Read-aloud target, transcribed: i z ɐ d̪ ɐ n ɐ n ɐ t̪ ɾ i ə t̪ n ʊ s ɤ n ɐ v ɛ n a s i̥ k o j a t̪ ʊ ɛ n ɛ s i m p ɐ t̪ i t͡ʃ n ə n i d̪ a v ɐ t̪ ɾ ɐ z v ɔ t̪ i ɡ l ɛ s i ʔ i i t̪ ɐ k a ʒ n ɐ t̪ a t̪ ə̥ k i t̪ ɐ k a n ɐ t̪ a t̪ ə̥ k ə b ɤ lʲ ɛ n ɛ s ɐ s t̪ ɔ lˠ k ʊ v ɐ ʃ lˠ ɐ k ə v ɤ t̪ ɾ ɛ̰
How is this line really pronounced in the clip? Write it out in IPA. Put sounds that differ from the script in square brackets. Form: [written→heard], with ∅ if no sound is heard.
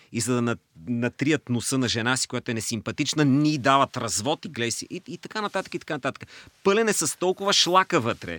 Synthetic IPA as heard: i z ɐ d̪ ɐ n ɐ n ɐ t̪ ɾ i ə t̪ n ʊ s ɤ n ɐ [v→ʒ] ɛ n a s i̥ k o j a t̪ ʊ ɛ n ɛ s i m p ɐ t̪ i t͡ʃ n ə n i d̪ a v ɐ t̪ ɾ ɐ z v ɔ t̪ i ɡ l ɛ s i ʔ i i t̪ ɐ k a [ʒ→∅] n ɐ t̪ a t̪ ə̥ k i t̪ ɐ k a n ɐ t̪ a t̪ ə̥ k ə [b→p] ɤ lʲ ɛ n ɛ s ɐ s t̪ ɔ lˠ k ʊ v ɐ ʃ lˠ [ɐ→a] k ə v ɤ t̪ ɾ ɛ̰